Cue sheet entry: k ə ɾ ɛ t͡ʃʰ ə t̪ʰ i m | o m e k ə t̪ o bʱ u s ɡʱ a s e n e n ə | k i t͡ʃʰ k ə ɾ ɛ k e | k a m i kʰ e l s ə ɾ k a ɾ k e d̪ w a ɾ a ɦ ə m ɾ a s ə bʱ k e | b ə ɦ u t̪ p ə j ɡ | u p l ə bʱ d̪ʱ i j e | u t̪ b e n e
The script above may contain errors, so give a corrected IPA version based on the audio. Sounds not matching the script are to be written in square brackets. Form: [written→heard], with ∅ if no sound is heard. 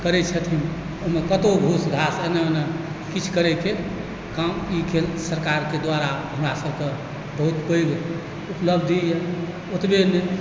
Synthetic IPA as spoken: k ə ɾ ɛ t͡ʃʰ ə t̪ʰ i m | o m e k ə t̪ o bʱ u s ɡʱ a s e n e n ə | k i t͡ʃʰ k ə ɾ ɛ k e | k a m i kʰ e l s ə ɾ k a ɾ k e d̪ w a ɾ a ɦ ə m ɾ a s ə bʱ k e | b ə ɦ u t̪ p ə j ɡ | u p l ə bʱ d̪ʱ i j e | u t̪ b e n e